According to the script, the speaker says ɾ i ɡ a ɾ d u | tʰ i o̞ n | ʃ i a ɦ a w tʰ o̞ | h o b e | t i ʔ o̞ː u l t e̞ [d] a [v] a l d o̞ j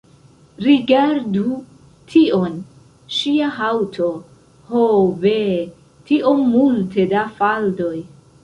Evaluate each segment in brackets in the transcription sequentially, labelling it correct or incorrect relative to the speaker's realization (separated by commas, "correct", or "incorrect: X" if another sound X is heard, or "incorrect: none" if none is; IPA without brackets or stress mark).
correct, incorrect: f